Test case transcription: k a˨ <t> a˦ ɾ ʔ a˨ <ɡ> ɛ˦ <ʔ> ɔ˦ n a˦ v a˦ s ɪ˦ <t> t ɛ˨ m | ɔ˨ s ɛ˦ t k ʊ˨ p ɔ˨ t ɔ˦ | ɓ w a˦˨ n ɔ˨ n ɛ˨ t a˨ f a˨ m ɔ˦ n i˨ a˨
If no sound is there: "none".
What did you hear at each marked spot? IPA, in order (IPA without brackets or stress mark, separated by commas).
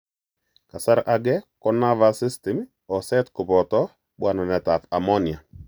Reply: s, ɡ, k, s